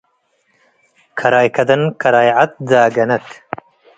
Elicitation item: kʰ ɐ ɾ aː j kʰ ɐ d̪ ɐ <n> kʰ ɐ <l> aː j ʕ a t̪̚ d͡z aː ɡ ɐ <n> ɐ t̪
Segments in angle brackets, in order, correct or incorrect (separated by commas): correct, incorrect, correct